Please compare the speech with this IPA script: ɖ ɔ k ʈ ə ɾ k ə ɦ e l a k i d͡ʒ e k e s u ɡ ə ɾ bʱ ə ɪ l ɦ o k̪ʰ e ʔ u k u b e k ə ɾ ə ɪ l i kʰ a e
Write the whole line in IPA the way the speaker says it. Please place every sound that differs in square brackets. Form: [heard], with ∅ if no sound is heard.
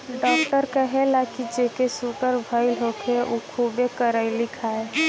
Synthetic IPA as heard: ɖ ɔ k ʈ ə ɾ k ə ɦ e l a k i d͡ʒ e k e s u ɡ ə ɾ bʱ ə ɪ l ɦ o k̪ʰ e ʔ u [kʰ] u b e k ə ɾ ə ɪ l i kʰ a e